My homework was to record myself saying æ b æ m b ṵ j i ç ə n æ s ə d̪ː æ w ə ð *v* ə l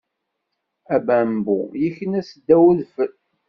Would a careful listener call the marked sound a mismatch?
yes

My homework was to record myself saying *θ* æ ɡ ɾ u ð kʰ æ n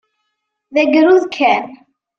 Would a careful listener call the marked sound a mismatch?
yes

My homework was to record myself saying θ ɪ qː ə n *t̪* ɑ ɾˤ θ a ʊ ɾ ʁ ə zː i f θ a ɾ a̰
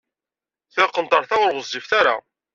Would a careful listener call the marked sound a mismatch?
no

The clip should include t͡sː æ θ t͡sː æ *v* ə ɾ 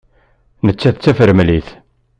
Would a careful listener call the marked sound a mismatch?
yes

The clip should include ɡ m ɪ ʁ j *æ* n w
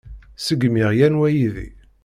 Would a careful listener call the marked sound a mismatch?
no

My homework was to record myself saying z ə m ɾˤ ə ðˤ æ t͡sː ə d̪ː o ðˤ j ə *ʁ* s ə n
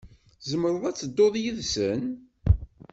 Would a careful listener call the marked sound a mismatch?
yes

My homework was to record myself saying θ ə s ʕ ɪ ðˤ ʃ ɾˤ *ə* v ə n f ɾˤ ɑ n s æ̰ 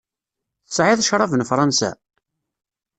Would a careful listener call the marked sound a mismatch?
yes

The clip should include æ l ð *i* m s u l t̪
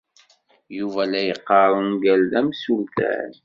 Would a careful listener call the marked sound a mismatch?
yes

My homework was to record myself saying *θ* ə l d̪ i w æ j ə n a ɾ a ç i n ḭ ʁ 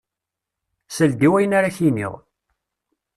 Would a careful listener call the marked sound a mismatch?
yes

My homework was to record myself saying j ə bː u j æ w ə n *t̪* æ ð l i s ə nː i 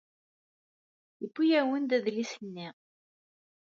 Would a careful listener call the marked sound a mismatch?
yes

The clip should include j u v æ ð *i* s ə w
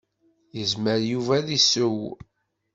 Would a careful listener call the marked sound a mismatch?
no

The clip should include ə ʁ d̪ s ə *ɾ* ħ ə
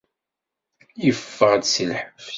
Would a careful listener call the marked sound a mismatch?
yes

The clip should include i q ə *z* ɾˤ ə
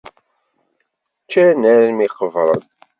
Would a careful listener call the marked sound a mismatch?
yes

